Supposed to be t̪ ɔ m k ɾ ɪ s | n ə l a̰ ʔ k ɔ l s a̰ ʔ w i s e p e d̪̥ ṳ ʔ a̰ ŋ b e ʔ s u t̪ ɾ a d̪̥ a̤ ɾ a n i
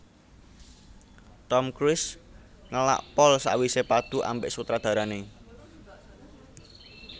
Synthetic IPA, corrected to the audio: t̪ ɔ m k ɾ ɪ s | ŋ ə l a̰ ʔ p ɔ l s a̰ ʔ w i s e p a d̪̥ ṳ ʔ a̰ m b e ʔ s u t̪ ɾ a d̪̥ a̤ ɾ a n e